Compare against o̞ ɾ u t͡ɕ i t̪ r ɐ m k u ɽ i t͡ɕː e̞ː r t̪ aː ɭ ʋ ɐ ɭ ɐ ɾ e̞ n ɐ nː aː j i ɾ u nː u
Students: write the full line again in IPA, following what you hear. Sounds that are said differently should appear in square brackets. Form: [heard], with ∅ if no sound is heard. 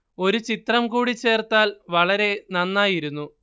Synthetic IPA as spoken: o̞ ɾ u t͡ɕ i t̪ r ɐ m k [uː] ɽ i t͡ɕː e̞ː r t̪ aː [l] ʋ ɐ ɭ ɐ ɾ e̞ n ɐ nː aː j i ɾ u nː u